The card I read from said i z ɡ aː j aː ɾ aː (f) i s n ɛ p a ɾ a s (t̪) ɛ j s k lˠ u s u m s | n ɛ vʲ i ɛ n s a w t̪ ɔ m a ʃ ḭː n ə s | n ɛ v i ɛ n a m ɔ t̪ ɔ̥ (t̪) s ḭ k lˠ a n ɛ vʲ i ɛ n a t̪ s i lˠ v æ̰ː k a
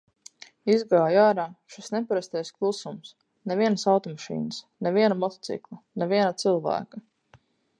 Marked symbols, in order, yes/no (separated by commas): no, yes, yes